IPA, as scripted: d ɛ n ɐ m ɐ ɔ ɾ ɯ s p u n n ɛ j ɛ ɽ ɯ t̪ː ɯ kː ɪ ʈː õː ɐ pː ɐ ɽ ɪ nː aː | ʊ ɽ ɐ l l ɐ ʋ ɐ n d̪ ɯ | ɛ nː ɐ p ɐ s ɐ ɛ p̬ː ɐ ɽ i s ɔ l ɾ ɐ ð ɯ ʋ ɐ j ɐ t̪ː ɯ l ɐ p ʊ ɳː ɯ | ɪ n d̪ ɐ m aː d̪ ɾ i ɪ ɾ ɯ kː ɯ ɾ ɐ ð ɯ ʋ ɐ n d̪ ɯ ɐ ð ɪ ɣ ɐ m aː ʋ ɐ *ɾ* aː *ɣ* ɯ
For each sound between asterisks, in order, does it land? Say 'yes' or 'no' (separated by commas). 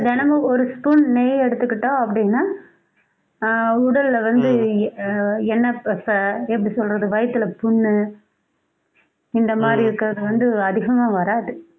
yes, no